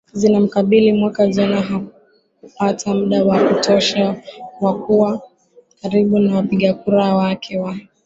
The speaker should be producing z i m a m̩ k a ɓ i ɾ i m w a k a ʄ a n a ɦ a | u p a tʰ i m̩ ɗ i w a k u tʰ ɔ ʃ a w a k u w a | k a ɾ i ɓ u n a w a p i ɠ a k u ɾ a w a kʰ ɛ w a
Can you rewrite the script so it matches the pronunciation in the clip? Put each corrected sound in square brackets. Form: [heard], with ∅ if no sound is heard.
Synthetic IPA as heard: z i [n] a m̩ k a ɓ i [l] i m w a k a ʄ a n a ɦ a | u p a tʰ [a] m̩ ɗ [a] w a k u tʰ ɔ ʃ a w a k u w a | k a ɾ i ɓ u n a w a p i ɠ a k u ɾ a w a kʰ ɛ w a